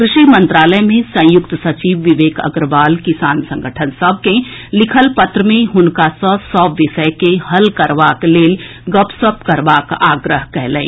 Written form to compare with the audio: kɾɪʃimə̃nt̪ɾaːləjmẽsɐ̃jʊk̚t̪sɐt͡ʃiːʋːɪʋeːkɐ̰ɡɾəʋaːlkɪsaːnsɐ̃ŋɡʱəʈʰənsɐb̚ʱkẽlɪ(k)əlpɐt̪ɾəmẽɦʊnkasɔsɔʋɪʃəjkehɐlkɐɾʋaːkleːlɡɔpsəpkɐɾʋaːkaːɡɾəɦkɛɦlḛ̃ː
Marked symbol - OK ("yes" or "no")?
no